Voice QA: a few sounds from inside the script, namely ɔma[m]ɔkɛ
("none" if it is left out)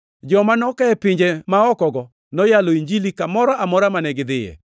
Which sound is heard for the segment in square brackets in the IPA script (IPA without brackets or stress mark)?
n